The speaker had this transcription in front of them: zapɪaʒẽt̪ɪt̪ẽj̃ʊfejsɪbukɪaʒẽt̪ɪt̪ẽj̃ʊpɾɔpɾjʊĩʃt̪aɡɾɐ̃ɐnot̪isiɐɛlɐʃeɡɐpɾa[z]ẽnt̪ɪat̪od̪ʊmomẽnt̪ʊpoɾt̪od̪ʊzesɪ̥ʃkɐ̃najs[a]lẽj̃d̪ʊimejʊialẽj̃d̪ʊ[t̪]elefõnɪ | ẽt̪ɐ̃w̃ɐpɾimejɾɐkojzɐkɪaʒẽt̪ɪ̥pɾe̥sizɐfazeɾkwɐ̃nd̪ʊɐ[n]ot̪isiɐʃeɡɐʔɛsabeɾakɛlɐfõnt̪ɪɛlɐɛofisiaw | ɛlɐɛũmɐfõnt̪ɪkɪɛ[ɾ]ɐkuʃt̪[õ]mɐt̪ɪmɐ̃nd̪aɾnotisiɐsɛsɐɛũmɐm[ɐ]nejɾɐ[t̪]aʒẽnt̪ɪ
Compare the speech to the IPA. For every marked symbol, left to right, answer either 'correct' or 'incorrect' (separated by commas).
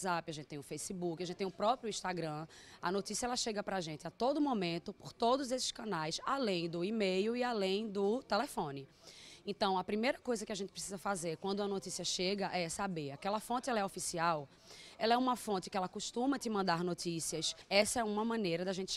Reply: incorrect, correct, correct, correct, incorrect, incorrect, incorrect, incorrect